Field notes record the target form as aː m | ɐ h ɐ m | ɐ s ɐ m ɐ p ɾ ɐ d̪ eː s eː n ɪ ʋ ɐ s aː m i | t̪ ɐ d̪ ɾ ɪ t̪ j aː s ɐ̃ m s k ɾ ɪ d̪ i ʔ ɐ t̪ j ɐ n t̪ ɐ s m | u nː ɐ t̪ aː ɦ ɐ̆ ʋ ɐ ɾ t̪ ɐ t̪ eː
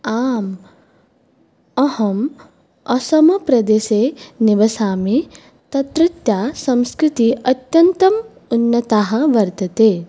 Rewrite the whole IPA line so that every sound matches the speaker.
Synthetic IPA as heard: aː m | ɐ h ɐ m | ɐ s ɐ m ɐ p ɾ ɐ d̪ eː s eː n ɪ ʋ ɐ s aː m i | t̪ ɐ t̪ ɾ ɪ t̪ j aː s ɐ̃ m s k ɾ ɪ t̪ i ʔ ɐ t̪ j ɐ n t̪ ɐ m | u nː ɐ t̪ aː ɦ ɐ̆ ʋ ɐ ɾ t̪ ɐ t̪ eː